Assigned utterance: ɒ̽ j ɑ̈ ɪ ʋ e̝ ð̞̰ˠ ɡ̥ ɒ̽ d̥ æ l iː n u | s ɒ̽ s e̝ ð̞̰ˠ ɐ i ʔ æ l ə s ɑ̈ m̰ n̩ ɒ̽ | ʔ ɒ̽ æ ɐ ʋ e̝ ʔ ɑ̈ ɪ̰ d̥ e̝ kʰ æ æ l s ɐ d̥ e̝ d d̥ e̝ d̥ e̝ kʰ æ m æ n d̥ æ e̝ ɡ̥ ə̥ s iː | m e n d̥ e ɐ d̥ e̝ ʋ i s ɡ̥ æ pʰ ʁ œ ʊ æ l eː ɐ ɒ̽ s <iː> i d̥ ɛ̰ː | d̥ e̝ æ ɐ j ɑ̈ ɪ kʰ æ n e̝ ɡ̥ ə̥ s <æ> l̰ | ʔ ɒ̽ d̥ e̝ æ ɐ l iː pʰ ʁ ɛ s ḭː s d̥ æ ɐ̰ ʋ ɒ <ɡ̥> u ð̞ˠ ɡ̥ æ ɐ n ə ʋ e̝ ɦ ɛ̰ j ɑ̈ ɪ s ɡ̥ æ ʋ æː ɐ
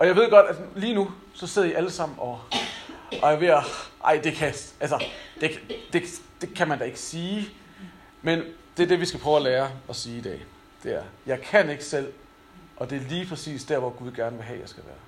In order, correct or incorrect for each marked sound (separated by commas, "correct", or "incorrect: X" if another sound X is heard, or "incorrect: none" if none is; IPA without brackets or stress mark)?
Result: correct, incorrect: e, correct